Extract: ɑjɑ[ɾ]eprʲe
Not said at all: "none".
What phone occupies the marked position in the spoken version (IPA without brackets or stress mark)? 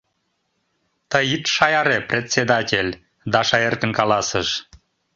ɾ